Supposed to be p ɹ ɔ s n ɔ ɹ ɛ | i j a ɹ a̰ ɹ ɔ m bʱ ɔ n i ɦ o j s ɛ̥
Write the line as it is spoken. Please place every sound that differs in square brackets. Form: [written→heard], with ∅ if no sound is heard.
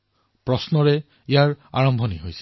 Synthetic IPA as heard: p ɹ ɔ s n ɔ ɹ ɛ | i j a ɹ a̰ ɹ ɔ m bʱ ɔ n i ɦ o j s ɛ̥